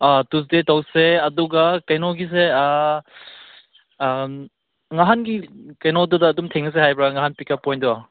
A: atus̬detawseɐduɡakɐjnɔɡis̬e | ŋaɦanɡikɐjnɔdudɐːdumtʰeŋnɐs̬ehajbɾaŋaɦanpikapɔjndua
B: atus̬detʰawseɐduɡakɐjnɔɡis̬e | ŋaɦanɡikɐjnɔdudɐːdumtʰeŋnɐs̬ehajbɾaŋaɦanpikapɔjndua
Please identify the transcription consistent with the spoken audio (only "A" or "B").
A